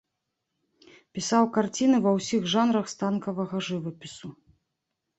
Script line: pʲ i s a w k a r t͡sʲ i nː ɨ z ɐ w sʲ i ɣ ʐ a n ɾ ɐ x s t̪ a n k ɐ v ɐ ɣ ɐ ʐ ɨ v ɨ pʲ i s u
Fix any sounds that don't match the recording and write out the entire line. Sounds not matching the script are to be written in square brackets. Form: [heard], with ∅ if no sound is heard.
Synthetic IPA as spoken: pʲ i s a w k a r t͡sʲ i [n] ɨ [v] ɐ w sʲ i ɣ ʐ a n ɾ ɐ x s t̪ a n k ɐ v ɐ ɣ ɐ ʐ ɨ v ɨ pʲ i s u